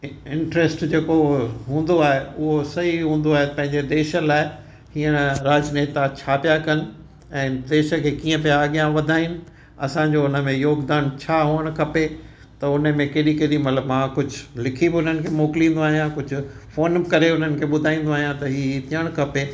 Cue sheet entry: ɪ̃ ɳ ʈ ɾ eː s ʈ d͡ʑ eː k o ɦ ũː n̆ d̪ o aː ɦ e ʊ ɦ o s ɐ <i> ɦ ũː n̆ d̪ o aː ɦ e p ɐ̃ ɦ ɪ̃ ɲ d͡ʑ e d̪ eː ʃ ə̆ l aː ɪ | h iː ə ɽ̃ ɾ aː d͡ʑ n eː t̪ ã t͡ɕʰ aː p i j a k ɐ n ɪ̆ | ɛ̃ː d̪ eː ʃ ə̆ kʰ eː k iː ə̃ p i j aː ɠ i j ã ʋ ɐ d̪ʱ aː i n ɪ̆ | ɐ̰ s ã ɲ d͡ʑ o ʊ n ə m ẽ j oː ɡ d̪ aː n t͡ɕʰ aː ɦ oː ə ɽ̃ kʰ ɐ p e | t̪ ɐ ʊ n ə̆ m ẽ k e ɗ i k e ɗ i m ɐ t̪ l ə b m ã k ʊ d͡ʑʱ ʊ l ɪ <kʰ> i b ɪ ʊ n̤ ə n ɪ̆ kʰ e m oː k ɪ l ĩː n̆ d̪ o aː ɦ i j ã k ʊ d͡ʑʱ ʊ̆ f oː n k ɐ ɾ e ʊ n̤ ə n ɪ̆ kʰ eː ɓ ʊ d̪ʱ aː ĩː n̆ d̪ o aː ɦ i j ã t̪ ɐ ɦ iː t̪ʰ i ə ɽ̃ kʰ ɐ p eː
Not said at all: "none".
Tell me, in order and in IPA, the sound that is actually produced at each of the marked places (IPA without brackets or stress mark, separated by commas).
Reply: i, kʰ